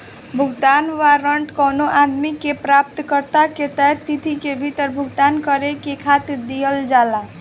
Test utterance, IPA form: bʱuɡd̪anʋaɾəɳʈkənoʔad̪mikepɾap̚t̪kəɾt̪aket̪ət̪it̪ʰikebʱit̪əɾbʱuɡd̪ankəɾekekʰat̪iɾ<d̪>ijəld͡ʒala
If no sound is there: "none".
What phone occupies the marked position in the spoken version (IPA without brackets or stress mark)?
d̪